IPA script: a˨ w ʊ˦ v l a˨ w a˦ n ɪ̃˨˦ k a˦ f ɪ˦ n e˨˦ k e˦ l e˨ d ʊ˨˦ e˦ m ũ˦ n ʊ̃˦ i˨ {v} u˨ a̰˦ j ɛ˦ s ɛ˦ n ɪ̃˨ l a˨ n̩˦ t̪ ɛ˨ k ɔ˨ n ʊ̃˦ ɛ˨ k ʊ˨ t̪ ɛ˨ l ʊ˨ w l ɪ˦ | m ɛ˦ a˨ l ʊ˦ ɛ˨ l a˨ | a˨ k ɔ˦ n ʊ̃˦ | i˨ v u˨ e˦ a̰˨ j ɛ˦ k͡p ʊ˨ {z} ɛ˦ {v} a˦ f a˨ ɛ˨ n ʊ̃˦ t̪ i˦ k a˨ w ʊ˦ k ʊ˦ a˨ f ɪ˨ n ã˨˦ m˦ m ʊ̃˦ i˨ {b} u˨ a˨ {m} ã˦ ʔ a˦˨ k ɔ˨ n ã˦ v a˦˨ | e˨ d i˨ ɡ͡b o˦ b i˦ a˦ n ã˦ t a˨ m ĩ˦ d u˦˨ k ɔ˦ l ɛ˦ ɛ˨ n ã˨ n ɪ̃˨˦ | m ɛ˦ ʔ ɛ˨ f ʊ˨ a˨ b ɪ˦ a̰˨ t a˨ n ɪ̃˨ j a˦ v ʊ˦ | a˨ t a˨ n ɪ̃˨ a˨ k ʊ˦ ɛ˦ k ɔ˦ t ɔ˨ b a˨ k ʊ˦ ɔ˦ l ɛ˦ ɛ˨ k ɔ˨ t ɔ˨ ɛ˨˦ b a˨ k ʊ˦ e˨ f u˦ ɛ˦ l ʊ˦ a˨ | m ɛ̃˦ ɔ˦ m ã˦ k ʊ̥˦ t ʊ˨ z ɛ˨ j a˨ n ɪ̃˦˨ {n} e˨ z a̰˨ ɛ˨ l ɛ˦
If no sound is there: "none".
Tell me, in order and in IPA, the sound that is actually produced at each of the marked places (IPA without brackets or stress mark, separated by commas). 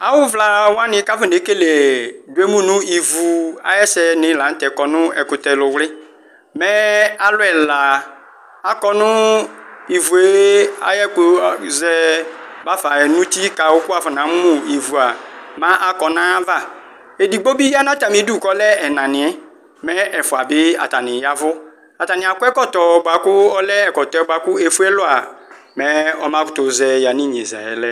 v, z, b, v, m, ɲ